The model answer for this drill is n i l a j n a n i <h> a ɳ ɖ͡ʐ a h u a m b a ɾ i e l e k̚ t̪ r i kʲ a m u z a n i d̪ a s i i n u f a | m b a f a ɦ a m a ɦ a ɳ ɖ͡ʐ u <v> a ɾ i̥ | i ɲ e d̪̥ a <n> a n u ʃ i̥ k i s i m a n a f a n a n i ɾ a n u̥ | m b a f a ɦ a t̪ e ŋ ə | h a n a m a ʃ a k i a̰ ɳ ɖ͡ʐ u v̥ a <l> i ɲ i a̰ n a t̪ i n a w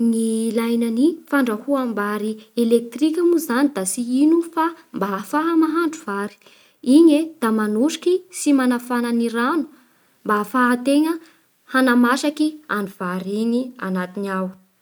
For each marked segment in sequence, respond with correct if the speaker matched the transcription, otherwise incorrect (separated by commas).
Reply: incorrect, correct, incorrect, incorrect